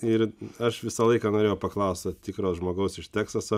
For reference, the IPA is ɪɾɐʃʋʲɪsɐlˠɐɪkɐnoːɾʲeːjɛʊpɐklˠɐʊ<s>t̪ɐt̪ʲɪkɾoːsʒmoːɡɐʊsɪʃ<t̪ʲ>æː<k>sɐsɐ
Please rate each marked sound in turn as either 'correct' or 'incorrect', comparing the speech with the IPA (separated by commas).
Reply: correct, correct, correct